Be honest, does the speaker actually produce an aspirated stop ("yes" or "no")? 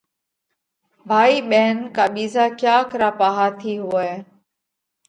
yes